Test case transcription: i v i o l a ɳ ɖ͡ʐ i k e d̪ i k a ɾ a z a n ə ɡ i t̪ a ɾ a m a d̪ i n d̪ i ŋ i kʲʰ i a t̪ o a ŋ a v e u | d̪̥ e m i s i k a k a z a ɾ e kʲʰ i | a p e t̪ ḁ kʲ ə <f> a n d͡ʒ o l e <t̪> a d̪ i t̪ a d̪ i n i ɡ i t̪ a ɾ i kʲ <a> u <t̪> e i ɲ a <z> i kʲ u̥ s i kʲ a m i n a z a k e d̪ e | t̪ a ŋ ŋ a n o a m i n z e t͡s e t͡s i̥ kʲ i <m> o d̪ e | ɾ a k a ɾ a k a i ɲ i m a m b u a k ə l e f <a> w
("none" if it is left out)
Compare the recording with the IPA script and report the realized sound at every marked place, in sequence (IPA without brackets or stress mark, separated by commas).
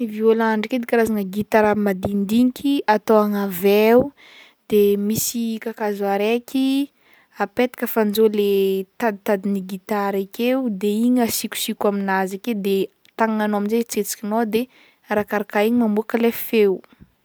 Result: f, t̪, e, d̪, s, n, e